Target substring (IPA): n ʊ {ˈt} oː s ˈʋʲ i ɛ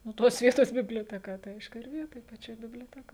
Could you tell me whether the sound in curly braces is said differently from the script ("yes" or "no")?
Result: no